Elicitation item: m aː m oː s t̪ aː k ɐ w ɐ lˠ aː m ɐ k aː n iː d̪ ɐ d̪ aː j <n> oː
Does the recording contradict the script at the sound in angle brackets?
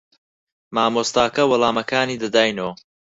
no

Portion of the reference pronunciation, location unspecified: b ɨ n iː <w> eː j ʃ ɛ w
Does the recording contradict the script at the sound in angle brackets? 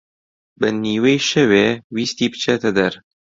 no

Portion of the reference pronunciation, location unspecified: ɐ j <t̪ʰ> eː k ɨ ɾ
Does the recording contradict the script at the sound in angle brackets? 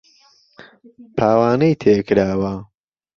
no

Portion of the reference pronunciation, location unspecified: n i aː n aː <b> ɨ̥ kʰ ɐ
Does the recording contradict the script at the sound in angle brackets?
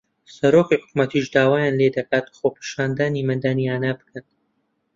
no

